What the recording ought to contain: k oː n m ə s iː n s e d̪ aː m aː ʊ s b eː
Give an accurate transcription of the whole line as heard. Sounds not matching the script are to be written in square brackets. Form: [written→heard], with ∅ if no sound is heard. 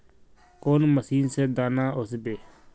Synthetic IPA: k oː n m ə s iː n s e d̪ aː [m→n] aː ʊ s b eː